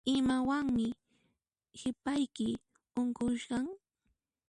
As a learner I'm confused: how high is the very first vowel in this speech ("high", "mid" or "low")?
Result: high